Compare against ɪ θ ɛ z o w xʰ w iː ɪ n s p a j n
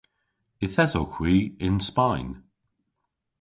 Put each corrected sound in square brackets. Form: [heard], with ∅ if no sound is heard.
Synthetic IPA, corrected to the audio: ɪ θ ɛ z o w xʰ w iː ɪ n s p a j n

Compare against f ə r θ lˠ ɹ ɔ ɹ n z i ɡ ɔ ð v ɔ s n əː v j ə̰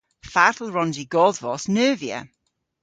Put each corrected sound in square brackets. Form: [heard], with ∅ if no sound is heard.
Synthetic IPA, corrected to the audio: f [a] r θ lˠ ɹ ɔ [∅] n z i ɡ ɔ ð v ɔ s n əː v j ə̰

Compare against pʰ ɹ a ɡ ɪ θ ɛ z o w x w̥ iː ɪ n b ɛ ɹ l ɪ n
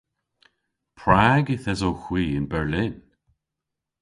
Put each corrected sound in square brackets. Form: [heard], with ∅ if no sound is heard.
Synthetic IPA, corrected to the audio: pʰ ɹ a ɡ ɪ θ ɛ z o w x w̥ iː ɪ n b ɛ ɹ l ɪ n

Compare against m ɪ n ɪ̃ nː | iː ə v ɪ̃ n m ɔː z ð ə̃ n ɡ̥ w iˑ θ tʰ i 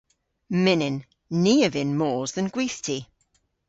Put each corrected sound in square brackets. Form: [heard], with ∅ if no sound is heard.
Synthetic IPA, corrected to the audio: m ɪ n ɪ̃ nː | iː ə v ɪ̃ n m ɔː z ð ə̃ n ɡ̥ w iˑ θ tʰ i

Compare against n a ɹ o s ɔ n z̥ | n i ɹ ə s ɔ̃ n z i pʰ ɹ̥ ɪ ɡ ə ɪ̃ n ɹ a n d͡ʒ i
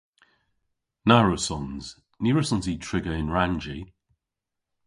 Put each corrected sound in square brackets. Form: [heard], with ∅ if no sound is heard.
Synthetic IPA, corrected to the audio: n a ɹ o s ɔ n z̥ | n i ɹ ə s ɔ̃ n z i [tʰ] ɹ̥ ɪ ɡ ə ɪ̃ n ɹ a n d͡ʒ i

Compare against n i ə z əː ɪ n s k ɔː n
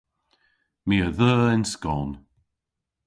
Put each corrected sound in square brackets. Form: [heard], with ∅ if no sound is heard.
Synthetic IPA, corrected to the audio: [m] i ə [ð] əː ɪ n s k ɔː n

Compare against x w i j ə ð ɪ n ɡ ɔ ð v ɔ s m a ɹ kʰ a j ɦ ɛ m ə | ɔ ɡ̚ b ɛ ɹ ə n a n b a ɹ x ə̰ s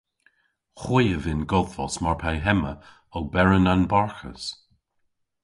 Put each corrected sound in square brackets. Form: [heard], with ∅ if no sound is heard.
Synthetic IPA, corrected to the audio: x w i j ə [v] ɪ n ɡ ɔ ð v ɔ s m a ɹ [pʰ] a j ɦ ɛ m ə | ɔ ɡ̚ b ɛ ɹ ə n a n b a ɹ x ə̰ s

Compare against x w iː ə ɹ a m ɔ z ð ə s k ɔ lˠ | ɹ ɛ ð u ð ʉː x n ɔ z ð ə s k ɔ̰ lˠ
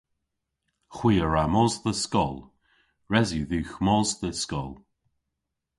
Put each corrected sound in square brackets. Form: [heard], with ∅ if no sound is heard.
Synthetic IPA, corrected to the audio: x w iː ə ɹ a m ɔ z ð ə s k ɔ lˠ | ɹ ɛ [z] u ð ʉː x [m] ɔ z ð ə s k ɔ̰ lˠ

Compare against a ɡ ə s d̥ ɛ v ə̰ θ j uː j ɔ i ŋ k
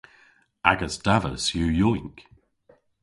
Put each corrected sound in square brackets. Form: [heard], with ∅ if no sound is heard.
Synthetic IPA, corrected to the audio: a ɡ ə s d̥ [a] v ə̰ [s] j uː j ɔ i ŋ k

